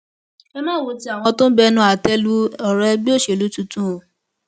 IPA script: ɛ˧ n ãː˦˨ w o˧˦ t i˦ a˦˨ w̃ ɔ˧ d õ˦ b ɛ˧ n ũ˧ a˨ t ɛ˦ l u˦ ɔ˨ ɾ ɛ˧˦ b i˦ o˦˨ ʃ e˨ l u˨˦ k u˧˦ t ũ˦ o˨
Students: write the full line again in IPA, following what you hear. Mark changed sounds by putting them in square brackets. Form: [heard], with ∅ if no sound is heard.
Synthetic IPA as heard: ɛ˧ [m] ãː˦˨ w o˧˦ t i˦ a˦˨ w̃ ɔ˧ [t] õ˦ b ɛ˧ n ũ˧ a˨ t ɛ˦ l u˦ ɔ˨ ɾ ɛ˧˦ b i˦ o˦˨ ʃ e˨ l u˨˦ [t] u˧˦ t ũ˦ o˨